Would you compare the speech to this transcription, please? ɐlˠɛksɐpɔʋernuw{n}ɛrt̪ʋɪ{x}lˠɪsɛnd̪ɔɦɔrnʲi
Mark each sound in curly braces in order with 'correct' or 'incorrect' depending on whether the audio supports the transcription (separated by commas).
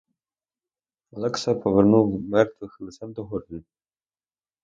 incorrect, correct